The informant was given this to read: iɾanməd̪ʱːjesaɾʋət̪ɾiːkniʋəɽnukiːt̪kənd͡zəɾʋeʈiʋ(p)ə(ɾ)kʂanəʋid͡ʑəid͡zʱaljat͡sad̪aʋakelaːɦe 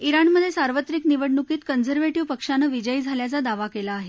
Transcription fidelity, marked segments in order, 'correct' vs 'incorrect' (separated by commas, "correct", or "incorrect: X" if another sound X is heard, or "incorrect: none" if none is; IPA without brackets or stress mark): correct, incorrect: none